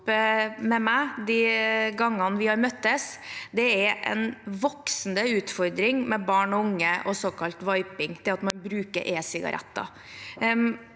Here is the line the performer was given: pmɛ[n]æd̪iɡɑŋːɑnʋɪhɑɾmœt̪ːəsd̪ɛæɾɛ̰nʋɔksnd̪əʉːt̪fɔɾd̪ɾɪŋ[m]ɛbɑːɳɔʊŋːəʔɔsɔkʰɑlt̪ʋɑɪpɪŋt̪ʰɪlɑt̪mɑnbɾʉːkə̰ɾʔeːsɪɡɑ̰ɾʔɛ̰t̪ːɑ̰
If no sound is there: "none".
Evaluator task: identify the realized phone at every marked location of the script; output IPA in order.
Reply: m, m

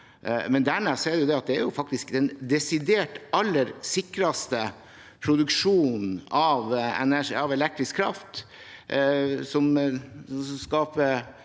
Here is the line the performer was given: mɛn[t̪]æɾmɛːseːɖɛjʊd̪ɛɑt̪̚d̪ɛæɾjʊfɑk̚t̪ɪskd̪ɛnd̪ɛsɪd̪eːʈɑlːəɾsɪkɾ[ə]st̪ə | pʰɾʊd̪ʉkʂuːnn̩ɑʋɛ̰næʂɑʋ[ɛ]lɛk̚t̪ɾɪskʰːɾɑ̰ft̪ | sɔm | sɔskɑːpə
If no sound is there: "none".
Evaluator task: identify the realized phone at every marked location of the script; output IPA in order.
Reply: d̪, ɑ, ɛ

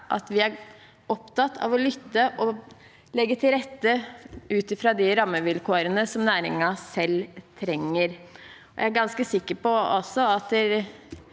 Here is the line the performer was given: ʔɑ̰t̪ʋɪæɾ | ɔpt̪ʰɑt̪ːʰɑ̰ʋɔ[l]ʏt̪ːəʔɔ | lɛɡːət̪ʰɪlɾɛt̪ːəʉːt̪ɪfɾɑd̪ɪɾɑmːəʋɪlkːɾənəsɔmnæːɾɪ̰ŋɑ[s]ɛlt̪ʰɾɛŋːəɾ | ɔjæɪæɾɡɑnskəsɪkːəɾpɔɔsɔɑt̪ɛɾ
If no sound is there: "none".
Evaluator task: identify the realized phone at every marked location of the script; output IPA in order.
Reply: l, s

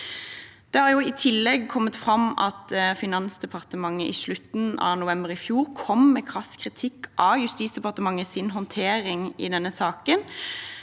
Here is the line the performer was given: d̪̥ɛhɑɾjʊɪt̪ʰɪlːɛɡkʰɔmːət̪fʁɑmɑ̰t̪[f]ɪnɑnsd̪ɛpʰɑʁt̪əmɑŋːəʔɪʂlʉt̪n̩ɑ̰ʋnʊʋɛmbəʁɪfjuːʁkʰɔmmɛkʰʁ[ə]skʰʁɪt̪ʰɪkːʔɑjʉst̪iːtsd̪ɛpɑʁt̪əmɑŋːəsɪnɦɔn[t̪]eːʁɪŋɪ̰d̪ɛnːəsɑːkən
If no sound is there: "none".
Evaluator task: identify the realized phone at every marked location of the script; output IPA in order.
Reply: f, ɑ, t̪ʰ

